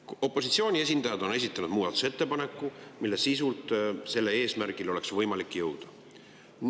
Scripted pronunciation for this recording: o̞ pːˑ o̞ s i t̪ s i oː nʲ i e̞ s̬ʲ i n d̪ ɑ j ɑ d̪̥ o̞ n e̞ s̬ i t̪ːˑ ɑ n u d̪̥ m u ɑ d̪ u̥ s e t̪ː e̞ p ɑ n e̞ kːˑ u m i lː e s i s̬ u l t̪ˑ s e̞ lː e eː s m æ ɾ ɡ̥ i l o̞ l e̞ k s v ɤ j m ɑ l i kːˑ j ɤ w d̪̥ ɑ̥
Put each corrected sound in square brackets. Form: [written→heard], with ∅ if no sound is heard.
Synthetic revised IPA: o̞ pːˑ o̞ s i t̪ s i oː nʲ i e̞ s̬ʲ i n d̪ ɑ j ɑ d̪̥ o̞ n e̞ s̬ i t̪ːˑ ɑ n u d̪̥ m [u→uː] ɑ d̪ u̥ s e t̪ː e̞ p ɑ n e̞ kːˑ u m i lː e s i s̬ u l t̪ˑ s e̞ lː e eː s m æ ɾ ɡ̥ i l o̞ l e̞ k s v ɤ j m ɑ l i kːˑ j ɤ w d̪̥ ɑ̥